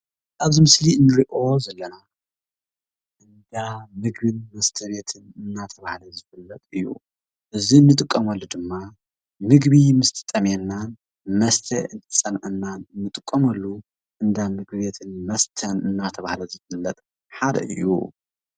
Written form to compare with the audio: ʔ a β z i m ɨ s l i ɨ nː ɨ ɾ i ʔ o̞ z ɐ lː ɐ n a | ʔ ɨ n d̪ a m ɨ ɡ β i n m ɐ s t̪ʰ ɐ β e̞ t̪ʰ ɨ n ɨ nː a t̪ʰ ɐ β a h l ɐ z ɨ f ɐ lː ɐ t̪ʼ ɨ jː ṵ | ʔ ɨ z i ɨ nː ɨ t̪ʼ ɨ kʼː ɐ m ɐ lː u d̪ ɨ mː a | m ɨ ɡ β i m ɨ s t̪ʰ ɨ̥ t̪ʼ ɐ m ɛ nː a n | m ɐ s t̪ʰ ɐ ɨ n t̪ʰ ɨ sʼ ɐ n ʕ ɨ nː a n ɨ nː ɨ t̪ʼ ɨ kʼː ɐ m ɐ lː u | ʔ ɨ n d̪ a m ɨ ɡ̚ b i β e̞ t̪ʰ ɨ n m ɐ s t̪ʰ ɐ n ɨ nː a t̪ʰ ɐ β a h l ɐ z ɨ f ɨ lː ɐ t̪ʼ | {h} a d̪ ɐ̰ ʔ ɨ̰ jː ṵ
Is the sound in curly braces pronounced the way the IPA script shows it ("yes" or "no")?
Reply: no